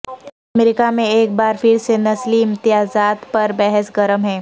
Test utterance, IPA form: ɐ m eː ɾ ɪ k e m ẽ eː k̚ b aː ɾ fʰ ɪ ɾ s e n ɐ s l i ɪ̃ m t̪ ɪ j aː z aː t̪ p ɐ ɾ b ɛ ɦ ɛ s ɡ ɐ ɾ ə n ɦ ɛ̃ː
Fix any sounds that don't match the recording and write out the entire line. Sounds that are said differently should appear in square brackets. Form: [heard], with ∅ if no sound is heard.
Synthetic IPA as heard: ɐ m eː ɾ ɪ k [a] m ẽ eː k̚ b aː ɾ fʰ ɪ ɾ s e n ɐ s l i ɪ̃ m t̪ ɪ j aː z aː t̪ p ɐ ɾ b ɛ ɦ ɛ s ɡ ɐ ɾ ə [m] ɦ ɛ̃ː